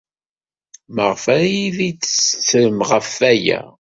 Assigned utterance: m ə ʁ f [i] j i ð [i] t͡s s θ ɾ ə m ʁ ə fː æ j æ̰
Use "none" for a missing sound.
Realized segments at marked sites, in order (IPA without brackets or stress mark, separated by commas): æ, i